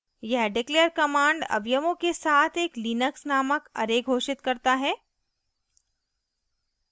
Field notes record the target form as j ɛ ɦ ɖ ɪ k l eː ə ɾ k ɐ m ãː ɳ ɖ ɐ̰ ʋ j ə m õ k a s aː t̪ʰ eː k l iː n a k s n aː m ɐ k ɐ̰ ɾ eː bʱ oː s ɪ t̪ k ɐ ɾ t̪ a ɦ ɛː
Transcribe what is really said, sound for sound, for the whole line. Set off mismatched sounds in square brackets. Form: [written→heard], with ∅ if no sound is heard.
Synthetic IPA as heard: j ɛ ɦ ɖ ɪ k l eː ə ɾ k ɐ m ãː ɳ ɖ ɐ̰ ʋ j ə m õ k [a→e] s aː t̪ʰ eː k l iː n [a→ə] k s n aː m [ɐ→ə] k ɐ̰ ɾ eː [bʱ→ɡʱ] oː [s→ʃ] ɪ t̪ k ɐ ɾ t̪ a ɦ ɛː